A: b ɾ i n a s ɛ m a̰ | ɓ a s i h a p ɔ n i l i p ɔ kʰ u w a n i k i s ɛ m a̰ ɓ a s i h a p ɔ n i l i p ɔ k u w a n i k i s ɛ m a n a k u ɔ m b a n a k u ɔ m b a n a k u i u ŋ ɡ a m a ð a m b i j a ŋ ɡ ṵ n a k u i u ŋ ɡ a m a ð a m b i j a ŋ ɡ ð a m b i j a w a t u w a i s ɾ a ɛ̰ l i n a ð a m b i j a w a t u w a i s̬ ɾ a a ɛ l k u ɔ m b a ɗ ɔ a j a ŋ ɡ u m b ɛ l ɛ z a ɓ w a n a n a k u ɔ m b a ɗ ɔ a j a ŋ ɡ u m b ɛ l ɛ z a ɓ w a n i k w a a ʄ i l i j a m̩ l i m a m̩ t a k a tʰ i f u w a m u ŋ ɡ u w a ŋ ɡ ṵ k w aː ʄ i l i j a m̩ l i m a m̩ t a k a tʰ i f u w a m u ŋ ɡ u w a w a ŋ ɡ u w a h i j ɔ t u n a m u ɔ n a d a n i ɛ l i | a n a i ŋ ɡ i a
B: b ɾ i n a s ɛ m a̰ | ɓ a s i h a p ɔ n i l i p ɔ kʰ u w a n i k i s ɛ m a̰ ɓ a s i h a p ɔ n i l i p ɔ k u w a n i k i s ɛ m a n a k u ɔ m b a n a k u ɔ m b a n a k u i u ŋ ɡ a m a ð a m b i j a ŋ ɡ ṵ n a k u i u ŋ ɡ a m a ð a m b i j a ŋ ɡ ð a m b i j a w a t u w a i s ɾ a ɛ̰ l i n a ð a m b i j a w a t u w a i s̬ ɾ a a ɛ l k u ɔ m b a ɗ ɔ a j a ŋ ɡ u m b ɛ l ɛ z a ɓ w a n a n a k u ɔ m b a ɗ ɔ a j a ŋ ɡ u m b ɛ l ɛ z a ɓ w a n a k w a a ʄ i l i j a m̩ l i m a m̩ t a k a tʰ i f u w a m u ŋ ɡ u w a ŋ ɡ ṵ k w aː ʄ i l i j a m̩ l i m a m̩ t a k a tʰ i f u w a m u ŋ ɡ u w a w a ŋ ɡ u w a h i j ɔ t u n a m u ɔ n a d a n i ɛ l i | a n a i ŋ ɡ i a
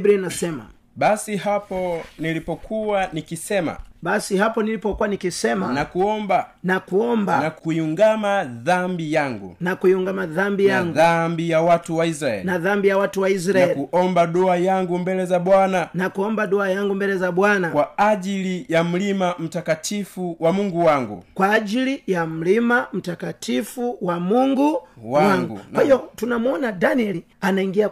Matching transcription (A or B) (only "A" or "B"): B